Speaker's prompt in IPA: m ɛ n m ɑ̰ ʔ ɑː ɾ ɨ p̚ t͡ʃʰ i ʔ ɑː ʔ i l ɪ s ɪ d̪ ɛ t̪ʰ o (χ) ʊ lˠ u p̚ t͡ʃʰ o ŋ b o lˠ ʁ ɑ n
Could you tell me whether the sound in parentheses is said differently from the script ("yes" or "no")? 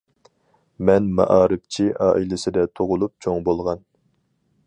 yes